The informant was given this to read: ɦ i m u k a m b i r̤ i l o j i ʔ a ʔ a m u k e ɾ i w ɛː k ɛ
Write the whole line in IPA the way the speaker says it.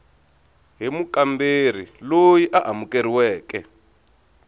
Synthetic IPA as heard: ɦ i m u k a m b e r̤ i l o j i ʔ a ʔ a m u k e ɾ i w ɛː k ɛ